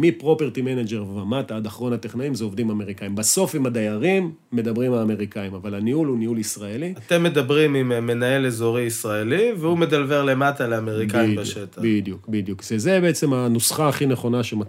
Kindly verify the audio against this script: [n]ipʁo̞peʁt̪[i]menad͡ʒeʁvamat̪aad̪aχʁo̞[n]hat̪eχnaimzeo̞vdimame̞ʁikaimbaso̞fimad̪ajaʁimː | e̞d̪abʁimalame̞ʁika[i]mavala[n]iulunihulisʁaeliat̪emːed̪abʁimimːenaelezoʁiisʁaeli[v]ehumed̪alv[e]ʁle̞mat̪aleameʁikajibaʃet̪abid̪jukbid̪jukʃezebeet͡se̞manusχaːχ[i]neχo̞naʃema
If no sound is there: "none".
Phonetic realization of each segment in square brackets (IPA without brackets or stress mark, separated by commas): m, i, n, i, n, v, e, i